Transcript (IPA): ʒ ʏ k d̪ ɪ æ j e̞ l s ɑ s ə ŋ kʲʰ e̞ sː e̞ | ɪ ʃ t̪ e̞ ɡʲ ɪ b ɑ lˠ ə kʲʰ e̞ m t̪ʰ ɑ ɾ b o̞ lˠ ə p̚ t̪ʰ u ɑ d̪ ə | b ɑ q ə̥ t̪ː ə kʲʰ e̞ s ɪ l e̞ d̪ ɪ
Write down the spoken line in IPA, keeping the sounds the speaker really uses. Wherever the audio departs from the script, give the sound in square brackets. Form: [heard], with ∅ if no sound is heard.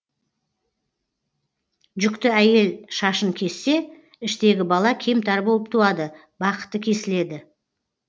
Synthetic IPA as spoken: ʒ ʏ k [t̪] ɪ æ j e̞ l [ʃ] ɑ [ʃ] ə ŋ kʲʰ e̞ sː e̞ | ɪ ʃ t̪ e̞ ɡʲ ɪ b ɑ lˠ [ɑ] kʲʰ e̞ m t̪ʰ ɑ ɾ b o̞ lˠ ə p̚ t̪ʰ u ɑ d̪ ə | b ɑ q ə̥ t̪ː ə kʲʰ e̞ s ɪ l e̞ d̪ ɪ